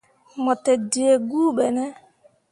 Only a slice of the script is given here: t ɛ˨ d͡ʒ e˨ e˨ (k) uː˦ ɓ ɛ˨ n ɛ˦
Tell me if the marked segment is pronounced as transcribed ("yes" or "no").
no